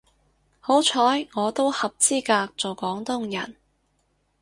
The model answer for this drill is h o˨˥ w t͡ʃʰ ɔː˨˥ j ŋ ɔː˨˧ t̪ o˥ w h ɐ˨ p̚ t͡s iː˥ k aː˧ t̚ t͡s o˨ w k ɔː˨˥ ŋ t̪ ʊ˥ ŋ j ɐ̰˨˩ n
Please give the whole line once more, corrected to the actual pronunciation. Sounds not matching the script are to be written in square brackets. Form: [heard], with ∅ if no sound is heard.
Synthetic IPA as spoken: h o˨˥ w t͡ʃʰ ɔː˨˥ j ŋ ɔː˨˧ t̪ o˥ w h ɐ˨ p̚ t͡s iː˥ k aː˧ [k̚] t͡s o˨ w k ɔː˨˥ ŋ t̪ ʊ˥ ŋ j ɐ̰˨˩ n